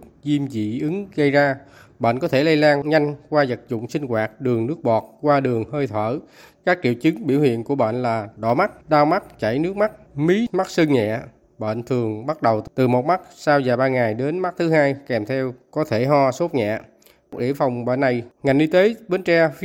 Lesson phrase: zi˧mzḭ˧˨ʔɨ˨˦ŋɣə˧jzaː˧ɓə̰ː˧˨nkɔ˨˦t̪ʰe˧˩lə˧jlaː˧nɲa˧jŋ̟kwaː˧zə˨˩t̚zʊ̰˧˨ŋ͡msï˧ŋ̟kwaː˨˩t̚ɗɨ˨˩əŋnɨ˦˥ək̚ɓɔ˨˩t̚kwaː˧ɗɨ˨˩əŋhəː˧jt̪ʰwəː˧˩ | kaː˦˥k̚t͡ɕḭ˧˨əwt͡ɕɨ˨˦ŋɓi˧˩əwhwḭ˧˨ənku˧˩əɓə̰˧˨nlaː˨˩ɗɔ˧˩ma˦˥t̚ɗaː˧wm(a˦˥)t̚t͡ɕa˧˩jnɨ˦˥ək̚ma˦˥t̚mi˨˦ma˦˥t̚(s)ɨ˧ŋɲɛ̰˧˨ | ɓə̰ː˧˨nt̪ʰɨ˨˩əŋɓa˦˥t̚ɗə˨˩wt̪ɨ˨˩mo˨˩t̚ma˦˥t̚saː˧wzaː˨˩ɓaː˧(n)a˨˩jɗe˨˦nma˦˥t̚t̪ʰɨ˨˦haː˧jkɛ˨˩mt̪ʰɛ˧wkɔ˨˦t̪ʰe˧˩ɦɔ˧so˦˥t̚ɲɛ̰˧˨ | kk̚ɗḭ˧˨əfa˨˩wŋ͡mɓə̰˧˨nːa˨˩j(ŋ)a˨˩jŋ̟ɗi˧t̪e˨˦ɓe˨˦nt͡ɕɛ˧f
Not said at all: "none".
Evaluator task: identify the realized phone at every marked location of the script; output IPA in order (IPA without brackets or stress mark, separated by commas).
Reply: a˦˥, s, ŋ, ŋ